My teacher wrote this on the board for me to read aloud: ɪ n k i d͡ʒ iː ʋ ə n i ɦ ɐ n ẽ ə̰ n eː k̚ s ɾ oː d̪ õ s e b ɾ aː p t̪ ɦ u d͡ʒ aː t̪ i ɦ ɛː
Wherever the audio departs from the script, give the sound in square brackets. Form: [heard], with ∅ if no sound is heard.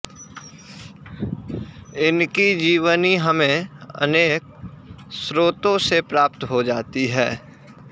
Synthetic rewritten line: ɪ n k i d͡ʒ iː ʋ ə n i ɦ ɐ [m] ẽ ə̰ n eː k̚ s ɾ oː [t̪] õ s e [p] ɾ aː p t̪ ɦ [o] d͡ʒ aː t̪ i ɦ ɛː